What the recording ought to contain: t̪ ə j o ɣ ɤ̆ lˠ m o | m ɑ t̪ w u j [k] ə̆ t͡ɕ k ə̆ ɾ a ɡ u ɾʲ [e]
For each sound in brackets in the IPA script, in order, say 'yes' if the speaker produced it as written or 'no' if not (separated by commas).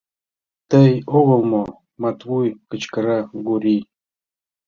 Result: yes, no